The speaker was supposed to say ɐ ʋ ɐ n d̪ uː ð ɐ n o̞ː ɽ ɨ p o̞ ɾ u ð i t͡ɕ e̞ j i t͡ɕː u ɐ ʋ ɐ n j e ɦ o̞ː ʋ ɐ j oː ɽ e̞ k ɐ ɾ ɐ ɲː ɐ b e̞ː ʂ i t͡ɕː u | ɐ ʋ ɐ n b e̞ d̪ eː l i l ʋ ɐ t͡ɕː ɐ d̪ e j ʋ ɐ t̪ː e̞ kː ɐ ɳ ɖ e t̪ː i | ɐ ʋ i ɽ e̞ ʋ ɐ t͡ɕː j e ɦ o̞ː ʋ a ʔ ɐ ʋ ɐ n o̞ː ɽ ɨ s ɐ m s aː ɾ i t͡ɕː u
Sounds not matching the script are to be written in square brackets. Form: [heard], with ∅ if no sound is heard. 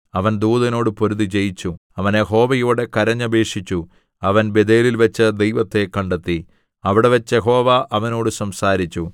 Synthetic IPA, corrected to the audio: ɐ ʋ ɐ n d̪ uː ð ɐ n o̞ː ɽ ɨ p o̞ ɾ u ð i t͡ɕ e̞ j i t͡ɕː u ɐ ʋ ɐ n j e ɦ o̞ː ʋ ɐ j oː ɽ e̞ k ɐ ɾ ɐ ɲː ɐ b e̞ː ʂ i t͡ɕː u | ɐ ʋ ɐ n b e̞ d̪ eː l i l ʋ ɐ t͡ɕː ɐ d̪ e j ʋ ɐ t̪ː e̞ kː ɐ ɳ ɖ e t̪ː i | ɐ ʋ i ɽ e̞ ʋ ɐ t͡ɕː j e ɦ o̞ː ʋ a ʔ ɐ ʋ ɐ n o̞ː ɽ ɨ s ɐ m s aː ɾ i t͡ɕː u